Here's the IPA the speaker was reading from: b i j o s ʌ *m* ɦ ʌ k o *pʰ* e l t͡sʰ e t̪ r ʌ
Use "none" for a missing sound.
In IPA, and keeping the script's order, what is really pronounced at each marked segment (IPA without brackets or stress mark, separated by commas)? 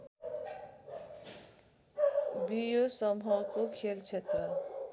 m, kʰ